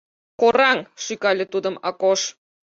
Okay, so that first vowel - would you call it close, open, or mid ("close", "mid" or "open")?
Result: mid